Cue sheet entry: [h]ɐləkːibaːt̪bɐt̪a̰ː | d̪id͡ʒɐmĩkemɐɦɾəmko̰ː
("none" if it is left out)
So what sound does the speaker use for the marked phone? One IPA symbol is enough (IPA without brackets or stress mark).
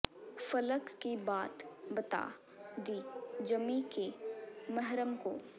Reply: f